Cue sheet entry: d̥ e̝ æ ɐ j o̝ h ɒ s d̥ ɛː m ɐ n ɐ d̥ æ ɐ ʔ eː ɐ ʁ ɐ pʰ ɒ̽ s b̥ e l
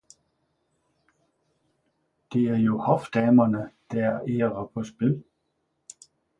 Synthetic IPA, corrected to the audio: d̥ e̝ æ ɐ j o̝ h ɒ f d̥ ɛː m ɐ n ə d̥ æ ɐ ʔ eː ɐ ʁ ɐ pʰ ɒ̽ s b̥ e l